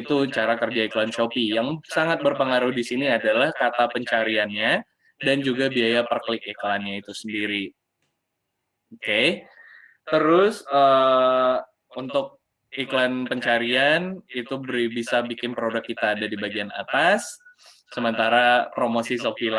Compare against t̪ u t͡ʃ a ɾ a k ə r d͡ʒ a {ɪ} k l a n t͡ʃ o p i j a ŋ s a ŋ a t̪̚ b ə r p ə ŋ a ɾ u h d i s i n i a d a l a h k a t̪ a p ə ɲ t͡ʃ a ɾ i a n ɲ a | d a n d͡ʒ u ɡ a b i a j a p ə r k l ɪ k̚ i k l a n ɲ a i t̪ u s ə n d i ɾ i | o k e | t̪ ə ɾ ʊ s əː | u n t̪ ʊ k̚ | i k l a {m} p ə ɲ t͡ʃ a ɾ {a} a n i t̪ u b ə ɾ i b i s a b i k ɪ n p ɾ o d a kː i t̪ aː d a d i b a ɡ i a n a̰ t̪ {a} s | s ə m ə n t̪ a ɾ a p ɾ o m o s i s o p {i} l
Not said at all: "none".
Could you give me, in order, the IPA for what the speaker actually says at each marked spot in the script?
i, n, i, a, i

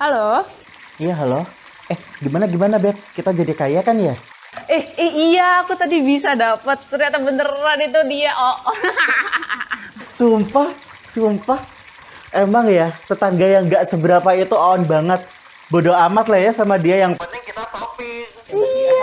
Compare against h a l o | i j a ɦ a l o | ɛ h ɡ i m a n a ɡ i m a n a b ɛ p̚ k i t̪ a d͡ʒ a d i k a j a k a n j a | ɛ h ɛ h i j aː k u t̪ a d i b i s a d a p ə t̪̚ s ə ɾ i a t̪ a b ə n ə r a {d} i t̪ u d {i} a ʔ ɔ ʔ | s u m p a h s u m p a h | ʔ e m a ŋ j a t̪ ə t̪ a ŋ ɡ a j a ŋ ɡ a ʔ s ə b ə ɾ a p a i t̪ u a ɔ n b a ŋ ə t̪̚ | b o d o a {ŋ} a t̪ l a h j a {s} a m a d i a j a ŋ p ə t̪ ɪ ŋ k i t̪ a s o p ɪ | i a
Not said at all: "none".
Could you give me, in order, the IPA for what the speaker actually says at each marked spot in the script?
n, i, m, s

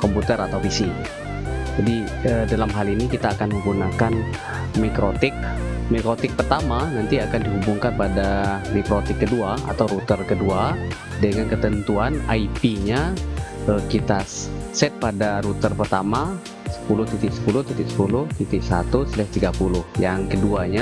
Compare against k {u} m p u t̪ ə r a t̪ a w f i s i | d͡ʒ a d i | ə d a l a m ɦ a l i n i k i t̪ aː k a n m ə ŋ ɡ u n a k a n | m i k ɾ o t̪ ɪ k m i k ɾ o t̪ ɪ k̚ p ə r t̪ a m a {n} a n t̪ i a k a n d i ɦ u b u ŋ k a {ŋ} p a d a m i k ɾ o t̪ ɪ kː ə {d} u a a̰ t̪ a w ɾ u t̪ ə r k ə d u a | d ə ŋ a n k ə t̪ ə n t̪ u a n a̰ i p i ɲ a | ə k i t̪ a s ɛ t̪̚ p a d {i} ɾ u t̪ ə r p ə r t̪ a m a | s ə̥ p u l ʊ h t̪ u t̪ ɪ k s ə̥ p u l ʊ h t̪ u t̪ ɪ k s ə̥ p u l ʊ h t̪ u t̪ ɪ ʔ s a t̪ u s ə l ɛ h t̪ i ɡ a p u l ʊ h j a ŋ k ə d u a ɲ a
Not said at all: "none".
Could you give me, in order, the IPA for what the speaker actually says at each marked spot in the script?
ɔ, n, n, d, a

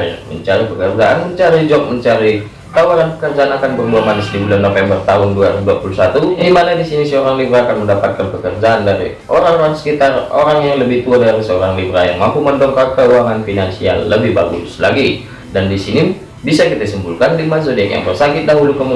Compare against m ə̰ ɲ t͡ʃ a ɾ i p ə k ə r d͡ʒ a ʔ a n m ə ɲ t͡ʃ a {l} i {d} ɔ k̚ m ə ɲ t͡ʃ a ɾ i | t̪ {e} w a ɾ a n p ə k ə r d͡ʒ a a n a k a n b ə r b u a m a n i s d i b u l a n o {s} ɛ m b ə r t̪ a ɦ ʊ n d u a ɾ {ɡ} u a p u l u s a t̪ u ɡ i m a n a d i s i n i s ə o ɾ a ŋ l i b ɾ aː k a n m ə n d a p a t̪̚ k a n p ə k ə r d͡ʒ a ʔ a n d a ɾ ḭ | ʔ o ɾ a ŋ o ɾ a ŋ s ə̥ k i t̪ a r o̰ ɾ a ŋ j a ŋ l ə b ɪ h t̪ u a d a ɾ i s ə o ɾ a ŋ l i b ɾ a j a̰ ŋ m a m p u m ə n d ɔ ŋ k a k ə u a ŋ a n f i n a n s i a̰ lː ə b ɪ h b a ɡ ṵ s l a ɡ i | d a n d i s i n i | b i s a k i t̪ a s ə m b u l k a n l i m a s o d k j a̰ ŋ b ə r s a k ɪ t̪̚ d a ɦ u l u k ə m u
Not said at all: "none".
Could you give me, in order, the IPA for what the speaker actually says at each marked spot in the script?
ɾ, d͡ʒ, a, f, d

